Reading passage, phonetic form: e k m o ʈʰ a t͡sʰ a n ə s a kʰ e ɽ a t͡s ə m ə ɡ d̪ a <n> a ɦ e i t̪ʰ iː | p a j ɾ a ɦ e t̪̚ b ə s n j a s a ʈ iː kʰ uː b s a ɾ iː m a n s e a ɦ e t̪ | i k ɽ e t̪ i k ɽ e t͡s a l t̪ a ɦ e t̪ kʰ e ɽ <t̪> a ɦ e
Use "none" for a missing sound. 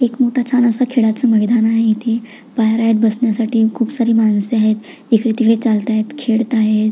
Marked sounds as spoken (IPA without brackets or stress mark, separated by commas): n, t̪